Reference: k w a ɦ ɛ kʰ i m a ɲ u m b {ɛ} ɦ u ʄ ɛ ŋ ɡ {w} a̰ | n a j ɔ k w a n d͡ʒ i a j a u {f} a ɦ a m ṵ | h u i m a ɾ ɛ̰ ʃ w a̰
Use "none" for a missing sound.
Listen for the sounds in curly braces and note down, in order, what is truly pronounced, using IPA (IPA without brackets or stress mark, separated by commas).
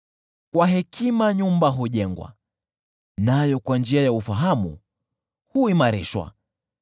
a, w, f